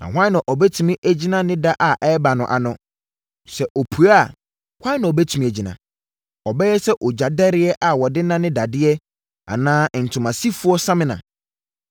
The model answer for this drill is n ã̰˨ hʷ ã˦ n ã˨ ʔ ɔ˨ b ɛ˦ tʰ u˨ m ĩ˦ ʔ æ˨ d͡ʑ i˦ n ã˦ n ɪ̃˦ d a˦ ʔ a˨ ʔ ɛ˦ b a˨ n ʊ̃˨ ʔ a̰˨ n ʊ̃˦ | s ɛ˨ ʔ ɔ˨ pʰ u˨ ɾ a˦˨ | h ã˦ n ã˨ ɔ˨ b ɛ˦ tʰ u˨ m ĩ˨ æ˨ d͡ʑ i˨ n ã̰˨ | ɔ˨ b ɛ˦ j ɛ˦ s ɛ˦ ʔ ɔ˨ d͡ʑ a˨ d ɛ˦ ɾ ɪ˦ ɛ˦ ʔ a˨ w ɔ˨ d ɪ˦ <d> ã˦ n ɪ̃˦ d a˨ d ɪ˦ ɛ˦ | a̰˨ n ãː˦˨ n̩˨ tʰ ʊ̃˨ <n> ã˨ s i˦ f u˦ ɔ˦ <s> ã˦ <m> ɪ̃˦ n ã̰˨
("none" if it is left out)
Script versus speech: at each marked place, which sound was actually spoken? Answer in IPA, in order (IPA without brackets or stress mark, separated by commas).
n, m, s, m